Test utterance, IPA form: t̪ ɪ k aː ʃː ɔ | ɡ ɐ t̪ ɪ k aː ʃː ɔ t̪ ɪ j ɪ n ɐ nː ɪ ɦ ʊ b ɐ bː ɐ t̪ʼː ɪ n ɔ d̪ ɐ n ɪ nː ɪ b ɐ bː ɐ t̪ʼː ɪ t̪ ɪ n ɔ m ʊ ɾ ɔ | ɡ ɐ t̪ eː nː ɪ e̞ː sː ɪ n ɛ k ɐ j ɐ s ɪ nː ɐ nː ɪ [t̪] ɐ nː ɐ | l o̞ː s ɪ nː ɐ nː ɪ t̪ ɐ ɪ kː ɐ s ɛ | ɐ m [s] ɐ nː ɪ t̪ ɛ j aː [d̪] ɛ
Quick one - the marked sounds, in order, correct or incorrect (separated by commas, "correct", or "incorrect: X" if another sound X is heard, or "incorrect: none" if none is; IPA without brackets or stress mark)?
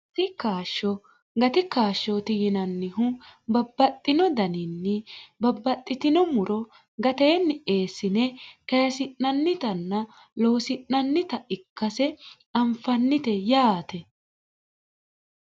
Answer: correct, incorrect: f, incorrect: t̪